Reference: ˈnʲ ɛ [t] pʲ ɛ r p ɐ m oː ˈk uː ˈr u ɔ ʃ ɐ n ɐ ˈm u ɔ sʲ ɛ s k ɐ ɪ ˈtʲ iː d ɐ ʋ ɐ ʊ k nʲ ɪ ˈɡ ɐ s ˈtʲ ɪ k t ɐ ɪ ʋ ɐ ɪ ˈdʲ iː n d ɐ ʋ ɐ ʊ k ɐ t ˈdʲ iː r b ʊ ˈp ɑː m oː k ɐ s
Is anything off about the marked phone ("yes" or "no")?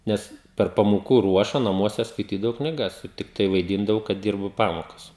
yes